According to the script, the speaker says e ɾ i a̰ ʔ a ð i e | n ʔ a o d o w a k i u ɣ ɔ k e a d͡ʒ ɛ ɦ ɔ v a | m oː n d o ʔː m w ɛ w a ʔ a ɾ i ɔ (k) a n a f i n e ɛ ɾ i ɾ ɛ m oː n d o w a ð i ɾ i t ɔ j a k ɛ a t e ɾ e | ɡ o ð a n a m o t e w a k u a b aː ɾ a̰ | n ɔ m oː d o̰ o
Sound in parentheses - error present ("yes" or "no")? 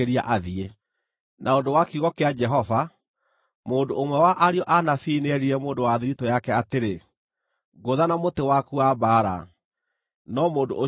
yes